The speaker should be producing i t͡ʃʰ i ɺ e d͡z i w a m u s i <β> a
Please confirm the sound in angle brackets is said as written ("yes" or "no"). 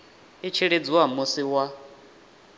no